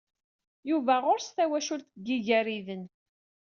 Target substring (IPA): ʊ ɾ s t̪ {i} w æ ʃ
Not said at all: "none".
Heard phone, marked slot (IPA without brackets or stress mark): æ